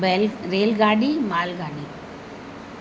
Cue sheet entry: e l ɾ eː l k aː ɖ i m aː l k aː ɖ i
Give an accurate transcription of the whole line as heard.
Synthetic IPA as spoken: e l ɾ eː l ɡ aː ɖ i m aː l ɡ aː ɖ i